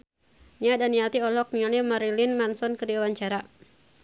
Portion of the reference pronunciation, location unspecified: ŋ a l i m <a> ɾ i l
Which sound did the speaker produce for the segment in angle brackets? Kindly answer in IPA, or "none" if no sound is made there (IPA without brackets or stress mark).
a